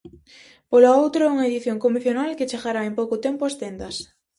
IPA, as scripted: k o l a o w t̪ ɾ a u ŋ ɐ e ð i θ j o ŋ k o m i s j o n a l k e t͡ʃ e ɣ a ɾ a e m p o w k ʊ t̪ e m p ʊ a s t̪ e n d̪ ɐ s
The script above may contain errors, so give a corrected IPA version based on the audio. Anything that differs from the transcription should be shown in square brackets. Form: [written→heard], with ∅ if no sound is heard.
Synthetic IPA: [k→p] o l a o w t̪ ɾ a u ŋ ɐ e ð i θ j o ŋ k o m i [s→θ] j o n a l k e t͡ʃ e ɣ a ɾ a e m p o w k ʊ t̪ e m p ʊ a s t̪ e n d̪ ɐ s